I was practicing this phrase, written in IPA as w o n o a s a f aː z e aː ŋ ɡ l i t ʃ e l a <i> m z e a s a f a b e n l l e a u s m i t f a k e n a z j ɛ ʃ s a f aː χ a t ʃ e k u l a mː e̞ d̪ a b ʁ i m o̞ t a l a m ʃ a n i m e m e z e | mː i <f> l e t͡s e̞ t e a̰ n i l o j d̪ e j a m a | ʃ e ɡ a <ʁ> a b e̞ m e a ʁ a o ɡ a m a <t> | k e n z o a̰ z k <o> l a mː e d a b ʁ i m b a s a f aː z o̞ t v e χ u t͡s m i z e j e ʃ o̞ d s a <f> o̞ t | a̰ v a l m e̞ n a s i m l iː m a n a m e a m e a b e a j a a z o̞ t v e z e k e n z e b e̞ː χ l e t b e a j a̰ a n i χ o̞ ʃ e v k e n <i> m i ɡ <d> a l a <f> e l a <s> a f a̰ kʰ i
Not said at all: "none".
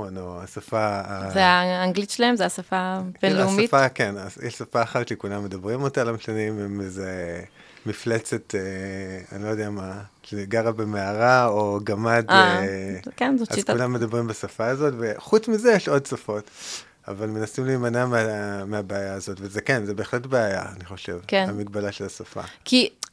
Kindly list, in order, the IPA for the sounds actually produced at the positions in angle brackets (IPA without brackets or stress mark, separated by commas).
e, f, ʁ, d, u, f, a, b, ʃ, s